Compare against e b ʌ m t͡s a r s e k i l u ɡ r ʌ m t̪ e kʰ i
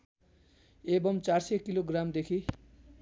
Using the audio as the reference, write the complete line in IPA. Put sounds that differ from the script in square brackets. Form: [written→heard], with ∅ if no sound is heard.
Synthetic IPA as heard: e b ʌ m t͡s a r s e k i l [u→o] ɡ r [ʌ→a] m [t̪→d̪] e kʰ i